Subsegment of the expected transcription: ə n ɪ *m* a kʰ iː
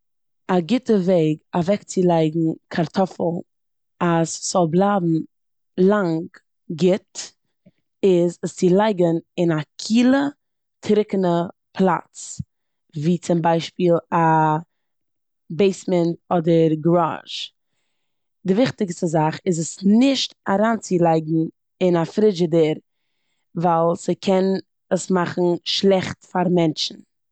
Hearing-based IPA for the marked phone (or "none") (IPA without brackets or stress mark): n